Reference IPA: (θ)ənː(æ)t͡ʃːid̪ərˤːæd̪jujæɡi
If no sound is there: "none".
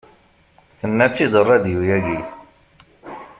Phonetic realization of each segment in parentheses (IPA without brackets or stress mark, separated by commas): θ, æ